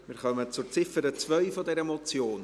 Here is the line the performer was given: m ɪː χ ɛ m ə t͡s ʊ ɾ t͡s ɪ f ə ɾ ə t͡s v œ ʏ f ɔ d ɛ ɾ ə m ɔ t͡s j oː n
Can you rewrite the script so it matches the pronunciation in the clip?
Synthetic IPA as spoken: m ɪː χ œ m ə t͡s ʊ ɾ t͡s ɪ f ə ɾ ə t͡s v œ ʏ f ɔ d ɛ ɾ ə m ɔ t͡s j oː n